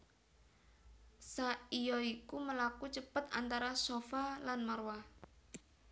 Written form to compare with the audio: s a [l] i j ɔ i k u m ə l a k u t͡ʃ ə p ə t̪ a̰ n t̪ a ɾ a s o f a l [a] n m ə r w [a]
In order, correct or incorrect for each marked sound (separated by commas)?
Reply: incorrect, correct, correct